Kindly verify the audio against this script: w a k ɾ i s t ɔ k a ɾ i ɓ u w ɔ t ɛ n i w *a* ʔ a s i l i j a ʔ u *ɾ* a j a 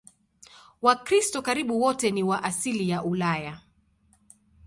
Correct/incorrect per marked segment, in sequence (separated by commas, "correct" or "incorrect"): correct, incorrect